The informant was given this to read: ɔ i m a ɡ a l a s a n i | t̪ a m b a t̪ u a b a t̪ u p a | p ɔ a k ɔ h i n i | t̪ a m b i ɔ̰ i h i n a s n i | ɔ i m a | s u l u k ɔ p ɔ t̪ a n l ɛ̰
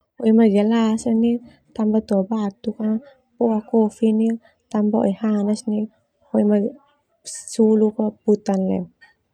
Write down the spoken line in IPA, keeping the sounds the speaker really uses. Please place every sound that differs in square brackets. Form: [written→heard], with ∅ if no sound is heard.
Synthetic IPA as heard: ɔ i m a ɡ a l a s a n i | t̪ a m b a t̪ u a b a t̪ u [p→k] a | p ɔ a k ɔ [h→f] i n i | t̪ a m b [i→a] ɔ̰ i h [i→a] n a s n i | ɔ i m a | s u l u k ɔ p [ɔ→u] t̪ a n l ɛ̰